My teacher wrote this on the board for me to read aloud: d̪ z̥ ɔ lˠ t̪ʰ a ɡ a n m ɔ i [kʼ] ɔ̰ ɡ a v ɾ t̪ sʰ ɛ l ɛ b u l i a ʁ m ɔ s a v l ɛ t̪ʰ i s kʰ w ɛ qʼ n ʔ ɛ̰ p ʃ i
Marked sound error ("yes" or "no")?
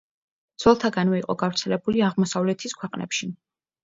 yes